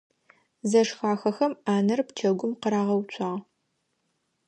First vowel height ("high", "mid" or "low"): low